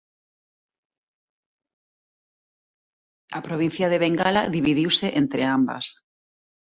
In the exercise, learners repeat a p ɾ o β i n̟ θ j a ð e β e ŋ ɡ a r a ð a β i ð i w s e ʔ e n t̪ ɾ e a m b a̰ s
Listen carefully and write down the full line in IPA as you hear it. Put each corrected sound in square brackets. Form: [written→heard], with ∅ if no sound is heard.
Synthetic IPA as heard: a p ɾ o β i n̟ θ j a ð e β e ŋ ɡ a [r→l] a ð [a→i] β i ð i w s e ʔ e n t̪ ɾ e a m b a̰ s

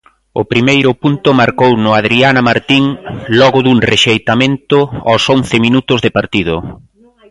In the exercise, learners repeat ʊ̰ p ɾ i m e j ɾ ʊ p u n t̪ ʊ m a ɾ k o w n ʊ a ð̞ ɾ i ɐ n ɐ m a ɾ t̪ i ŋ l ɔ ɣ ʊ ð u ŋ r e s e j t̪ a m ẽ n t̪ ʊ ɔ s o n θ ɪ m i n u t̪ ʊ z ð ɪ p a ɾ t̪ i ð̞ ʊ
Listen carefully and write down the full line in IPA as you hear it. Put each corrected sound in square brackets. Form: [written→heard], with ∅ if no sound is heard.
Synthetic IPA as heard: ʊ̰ p ɾ i m e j ɾ ʊ p u n t̪ ʊ m a ɾ k o w n ʊ a ð̞ ɾ i [ɐ→a] n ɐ m a ɾ t̪ i ŋ l ɔ ɣ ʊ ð u ŋ r e [s→ʃ] e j t̪ a m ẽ n t̪ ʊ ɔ s o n θ ɪ m i n u t̪ ʊ z ð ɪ p a ɾ t̪ i ð̞ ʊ

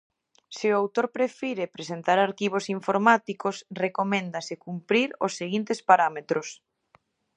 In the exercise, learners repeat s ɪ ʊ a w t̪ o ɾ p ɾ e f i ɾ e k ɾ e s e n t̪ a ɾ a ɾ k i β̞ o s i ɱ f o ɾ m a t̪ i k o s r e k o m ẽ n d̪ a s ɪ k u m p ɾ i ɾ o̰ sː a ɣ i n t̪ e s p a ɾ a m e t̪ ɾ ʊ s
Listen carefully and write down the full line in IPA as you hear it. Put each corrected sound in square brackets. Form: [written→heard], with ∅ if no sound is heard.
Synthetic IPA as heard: s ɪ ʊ a w t̪ o ɾ p ɾ e f i ɾ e [k→p] ɾ e s e n t̪ a ɾ a ɾ k i β̞ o s i ɱ f o ɾ m a t̪ i k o s r e k o m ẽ n d̪ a s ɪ k u m p ɾ i ɾ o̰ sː [a→e] ɣ i n t̪ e s p a ɾ a m e t̪ ɾ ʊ s

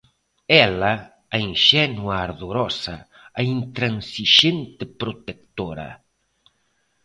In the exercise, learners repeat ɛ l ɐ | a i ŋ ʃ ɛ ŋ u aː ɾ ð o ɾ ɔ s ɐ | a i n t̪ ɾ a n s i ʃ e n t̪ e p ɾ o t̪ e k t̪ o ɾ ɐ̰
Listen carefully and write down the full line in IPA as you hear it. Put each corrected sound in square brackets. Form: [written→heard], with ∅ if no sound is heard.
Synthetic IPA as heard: ɛ l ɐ | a i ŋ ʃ ɛ [ŋ→n] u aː ɾ ð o ɾ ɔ s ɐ | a i n t̪ ɾ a n s i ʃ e n t̪ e p ɾ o t̪ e k t̪ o ɾ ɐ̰

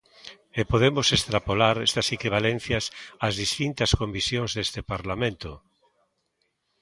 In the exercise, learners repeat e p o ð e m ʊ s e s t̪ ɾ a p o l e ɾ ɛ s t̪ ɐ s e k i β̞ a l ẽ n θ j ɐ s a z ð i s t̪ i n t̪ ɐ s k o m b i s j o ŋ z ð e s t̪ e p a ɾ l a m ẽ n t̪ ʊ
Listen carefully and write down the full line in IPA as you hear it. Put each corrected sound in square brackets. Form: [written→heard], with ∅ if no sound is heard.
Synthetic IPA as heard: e p o ð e m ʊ s e s t̪ ɾ a p o l [e→a] ɾ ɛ s t̪ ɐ s e k i β̞ a l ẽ n θ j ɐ s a z ð i s t̪ i n t̪ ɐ s k o m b i s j o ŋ z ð e s t̪ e p a ɾ l a m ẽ n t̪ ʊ

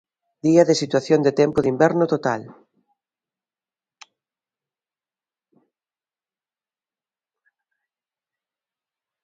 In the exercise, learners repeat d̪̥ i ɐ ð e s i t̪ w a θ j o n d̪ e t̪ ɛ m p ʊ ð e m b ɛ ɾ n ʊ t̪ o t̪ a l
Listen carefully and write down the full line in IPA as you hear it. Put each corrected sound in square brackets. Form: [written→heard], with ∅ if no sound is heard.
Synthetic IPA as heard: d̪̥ i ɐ ð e s i t̪ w a θ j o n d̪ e t̪ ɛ m p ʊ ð [e→i] m b ɛ ɾ n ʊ t̪ o t̪ a l

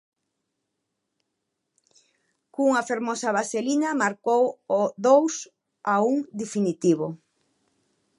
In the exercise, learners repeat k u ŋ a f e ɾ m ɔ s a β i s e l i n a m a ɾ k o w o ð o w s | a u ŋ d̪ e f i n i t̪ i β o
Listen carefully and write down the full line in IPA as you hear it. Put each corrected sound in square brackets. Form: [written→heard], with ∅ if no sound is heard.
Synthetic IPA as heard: k u ŋ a f e ɾ m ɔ s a β [i→a] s e l i n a m a ɾ k o w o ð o w s | a u ŋ d̪ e f i n i t̪ i β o

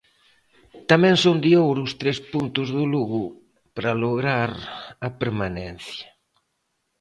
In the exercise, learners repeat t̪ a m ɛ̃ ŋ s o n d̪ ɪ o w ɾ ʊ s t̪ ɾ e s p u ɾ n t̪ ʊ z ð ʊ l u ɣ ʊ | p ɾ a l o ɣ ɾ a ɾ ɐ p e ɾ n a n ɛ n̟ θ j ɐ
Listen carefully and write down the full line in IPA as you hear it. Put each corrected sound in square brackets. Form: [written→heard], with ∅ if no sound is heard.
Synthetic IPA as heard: t̪ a m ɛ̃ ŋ s o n d̪ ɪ o w ɾ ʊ s t̪ ɾ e s p u [ɾ→∅] n t̪ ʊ z ð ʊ l u ɣ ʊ | p ɾ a l o ɣ ɾ a ɾ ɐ p e ɾ [n→m] a n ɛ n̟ θ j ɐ

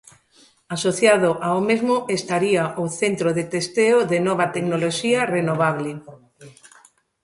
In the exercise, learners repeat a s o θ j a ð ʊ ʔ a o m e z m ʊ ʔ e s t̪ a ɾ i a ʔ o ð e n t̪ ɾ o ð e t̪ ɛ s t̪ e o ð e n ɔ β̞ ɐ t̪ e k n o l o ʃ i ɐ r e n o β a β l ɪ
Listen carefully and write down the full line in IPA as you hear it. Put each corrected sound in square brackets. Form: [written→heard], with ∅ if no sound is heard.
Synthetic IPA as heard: a s o θ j a ð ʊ ʔ a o m e z m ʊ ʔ e s t̪ a ɾ i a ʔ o [ð→θ] e n t̪ ɾ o ð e t̪ [ɛ→e] s t̪ e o ð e n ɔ β̞ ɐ t̪ e k n o l o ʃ i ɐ r e n o β a β l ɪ

